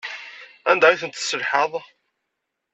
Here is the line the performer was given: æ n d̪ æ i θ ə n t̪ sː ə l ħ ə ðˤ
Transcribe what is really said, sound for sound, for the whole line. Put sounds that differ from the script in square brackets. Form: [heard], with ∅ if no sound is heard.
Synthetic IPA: æ n d̪ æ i θ ə n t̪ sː ə l ħ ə ðˤ